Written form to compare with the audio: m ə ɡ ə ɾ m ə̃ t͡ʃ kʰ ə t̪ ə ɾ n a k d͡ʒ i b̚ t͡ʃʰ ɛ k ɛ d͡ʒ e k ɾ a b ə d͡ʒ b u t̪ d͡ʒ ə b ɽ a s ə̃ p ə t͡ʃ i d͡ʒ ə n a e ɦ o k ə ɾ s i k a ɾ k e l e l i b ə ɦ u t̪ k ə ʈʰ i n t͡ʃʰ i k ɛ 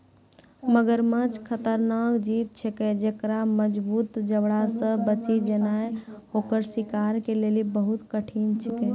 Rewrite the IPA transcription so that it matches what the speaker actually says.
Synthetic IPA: m ə ɡ ə ɾ m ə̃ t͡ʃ kʰ ə t̪ ə ɾ n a k d͡ʒ i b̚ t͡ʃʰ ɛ k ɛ d͡ʒ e k ɾ a m ə d͡ʒ b u t̪ d͡ʒ ə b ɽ a s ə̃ b ə t͡ʃ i d͡ʒ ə n a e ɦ o k ə ɾ s i k a ɾ k e l e l i b ə ɦ u t̪ k ə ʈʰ i n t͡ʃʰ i k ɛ